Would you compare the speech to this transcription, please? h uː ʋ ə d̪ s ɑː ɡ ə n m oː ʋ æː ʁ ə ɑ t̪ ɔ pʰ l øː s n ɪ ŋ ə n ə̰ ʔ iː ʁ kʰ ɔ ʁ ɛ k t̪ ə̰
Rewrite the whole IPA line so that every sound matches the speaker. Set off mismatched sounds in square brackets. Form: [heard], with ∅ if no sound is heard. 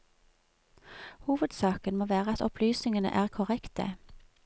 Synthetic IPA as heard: h uː ʋ ə d̪ s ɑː [k] ə n m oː ʋ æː ʁ ə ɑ t̪ ɔ pʰ l [yː] s n ɪ ŋ ə n ə̰ ʔ [æː] ʁ kʰ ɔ ʁ ɛ k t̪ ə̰